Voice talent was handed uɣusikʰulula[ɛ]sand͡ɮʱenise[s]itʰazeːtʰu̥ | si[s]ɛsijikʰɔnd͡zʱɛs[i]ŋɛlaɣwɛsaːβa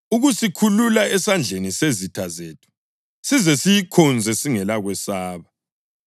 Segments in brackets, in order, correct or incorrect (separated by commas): correct, incorrect, incorrect, correct